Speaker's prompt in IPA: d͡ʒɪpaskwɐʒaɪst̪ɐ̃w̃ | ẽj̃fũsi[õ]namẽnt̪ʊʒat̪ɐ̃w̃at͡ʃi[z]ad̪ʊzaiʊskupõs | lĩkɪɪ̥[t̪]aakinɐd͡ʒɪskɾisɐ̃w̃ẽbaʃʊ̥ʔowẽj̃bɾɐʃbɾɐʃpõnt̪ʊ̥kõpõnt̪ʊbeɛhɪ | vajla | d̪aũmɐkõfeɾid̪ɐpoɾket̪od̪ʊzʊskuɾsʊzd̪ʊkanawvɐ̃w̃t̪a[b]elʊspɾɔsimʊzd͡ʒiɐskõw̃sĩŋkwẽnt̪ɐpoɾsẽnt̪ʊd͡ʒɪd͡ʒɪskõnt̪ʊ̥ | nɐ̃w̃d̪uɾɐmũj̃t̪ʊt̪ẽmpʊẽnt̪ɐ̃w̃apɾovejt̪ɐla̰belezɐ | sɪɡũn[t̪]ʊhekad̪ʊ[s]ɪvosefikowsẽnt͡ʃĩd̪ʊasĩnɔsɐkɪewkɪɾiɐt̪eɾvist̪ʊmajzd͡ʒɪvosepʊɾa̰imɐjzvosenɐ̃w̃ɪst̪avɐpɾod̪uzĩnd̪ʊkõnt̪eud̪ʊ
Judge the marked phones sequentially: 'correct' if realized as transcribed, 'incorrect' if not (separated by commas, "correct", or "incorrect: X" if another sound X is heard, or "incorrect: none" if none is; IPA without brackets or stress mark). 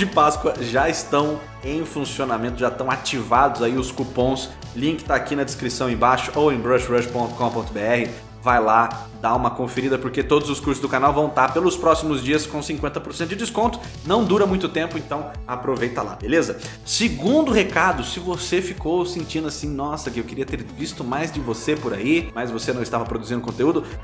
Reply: incorrect: o, incorrect: v, correct, incorrect: p, incorrect: d̪, correct